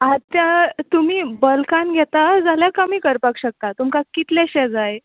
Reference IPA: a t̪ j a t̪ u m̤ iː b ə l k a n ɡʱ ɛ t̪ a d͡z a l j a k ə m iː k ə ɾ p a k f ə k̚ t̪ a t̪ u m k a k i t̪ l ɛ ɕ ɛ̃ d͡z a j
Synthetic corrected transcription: a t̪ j a t̪ u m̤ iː b ə l k a n ɡʱ ɛ t̪ a d͡z a l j a k ə m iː k ə ɾ p a k ɕ ə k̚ t̪ a t̪ u m k a k i t̪ l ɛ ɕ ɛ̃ d͡z a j